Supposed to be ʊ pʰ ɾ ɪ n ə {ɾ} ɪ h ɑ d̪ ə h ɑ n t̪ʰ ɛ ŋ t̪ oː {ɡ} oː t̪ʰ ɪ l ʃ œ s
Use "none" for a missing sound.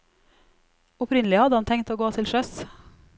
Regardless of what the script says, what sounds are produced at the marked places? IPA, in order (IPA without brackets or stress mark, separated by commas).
l, ɡ